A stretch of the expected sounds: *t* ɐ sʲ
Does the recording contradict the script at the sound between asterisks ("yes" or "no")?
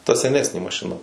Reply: no